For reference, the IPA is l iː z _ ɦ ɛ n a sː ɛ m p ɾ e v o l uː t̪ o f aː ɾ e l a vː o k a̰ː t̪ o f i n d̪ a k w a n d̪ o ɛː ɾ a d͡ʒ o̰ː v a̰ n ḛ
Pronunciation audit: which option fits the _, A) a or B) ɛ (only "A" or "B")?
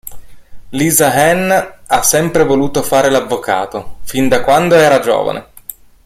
A